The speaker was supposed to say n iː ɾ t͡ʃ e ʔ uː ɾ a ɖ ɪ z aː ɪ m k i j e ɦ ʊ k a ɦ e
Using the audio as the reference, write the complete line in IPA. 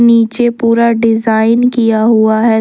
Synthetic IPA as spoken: n iː t͡ʃ e p uː ɾ a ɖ ɪ z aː ɪ n k i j a ɦ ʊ a ɦ ɛ